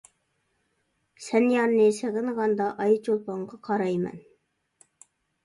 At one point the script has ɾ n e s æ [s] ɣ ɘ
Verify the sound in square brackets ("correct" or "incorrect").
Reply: incorrect